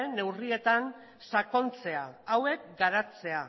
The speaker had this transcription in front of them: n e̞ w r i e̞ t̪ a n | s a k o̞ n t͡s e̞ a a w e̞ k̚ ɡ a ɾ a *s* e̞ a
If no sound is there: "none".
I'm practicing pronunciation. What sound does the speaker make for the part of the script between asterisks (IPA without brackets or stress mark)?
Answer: t͡s